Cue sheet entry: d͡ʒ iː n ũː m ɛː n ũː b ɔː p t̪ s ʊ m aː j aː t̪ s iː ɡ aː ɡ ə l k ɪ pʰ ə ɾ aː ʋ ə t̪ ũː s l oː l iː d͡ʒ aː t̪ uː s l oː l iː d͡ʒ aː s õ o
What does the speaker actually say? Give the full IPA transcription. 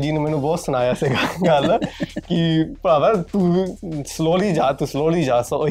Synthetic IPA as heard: d͡ʒ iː n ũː m ɛː n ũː b ɔː t̪ s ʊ n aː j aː s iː ɡ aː ɡ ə l k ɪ p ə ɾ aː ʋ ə t̪ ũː s l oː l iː d͡ʒ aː t̪ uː s l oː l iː d͡ʒ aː s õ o